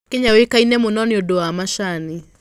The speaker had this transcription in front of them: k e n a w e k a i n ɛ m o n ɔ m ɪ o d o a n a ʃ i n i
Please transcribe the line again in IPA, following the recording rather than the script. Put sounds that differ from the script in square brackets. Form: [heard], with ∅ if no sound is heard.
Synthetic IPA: k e [ɲ] a w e k a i n ɛ m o n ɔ [n] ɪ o d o a [m] a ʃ [a] n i